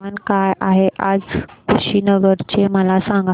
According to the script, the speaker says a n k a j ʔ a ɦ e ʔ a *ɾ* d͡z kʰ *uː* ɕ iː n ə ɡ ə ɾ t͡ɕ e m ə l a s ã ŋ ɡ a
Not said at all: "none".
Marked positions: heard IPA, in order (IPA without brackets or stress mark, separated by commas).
none, u